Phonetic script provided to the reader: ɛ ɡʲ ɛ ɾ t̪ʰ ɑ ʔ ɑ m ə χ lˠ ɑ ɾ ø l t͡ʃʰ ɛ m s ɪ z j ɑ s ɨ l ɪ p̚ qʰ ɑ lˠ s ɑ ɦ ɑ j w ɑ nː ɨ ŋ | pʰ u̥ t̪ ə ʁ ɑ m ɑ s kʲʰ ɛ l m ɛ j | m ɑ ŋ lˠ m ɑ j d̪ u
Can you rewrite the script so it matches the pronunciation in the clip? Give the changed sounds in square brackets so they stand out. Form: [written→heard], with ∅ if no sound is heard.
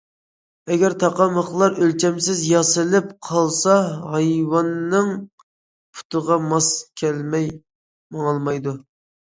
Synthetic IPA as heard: ɛ ɡʲ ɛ ɾ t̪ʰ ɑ [ʔ→q] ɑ m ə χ lˠ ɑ ɾ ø l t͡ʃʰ ɛ m s ɪ z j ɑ s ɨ l ɪ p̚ qʰ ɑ lˠ s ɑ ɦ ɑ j w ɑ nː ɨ ŋ | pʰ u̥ t̪ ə ʁ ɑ m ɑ s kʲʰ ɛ l m ɛ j | m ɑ ŋ lˠ m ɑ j d̪ u

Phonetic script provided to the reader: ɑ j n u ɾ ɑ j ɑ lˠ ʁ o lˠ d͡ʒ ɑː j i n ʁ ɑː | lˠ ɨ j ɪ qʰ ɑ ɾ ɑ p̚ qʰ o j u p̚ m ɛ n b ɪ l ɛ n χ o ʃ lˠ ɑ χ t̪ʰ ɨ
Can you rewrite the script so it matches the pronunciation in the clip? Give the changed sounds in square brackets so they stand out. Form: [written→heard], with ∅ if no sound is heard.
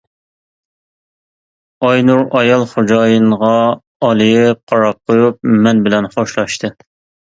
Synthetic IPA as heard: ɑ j n u ɾ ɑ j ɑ lˠ [ʁ→χ] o [lˠ→∅] d͡ʒ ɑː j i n ʁ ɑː | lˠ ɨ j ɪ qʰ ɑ ɾ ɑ p̚ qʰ o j u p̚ m ɛ n b ɪ l ɛ n χ o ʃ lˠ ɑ [χ→ʃ] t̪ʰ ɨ

